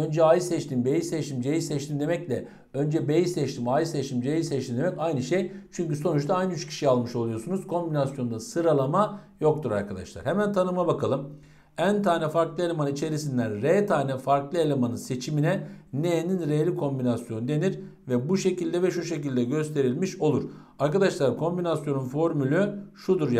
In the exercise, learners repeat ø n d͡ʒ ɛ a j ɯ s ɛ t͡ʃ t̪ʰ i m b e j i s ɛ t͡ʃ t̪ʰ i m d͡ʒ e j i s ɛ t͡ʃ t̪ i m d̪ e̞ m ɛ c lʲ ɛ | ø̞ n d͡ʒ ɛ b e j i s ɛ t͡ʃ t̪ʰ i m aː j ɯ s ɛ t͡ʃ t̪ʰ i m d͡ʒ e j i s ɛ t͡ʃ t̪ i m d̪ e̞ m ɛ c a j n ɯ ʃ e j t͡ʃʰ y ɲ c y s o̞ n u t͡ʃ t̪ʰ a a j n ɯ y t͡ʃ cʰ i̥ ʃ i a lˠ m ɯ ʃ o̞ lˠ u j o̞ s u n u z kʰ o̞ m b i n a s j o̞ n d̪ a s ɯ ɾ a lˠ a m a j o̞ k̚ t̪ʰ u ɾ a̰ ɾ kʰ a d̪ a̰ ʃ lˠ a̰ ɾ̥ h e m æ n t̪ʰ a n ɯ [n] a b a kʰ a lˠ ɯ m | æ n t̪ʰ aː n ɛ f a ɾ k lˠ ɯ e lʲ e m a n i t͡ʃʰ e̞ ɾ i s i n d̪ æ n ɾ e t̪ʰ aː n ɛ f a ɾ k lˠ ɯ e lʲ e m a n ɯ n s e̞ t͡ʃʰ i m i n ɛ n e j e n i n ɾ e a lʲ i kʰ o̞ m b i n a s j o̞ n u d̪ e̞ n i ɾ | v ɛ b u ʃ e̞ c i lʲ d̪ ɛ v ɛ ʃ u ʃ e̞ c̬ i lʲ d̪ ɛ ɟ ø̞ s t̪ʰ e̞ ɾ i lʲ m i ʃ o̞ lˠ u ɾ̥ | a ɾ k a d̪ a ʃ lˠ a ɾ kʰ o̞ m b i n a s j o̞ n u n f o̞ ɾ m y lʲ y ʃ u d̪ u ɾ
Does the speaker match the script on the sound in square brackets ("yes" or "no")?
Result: no